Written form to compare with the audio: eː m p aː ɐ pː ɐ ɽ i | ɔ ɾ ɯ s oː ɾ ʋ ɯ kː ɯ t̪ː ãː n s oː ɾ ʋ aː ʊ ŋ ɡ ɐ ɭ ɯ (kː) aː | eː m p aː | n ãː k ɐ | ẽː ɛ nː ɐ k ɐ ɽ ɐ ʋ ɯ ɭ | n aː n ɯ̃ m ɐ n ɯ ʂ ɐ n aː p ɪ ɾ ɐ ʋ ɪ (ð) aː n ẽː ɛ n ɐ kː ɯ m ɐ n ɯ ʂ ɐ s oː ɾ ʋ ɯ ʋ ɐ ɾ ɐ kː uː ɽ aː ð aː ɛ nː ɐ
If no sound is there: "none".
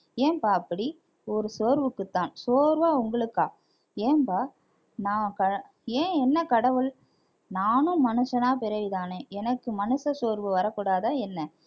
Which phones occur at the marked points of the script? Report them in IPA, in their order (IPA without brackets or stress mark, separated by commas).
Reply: kː, ð